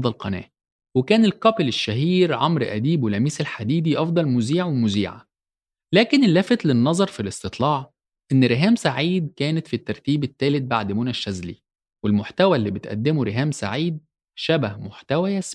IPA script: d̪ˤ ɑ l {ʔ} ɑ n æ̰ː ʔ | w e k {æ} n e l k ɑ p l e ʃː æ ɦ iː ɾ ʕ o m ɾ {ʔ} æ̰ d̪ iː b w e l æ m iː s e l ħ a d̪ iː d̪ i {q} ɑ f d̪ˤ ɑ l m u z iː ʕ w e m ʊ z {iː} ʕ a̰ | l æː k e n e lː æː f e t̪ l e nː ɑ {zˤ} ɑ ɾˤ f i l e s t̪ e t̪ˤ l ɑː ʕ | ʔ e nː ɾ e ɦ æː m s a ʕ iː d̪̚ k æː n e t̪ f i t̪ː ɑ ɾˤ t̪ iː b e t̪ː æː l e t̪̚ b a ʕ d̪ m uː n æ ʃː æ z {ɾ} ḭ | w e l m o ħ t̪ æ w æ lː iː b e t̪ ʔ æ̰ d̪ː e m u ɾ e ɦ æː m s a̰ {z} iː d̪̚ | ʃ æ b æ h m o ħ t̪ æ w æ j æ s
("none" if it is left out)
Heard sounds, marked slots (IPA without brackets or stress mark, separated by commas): q, æː, ʔ, ʔ, iː, zˤ, l, ʕ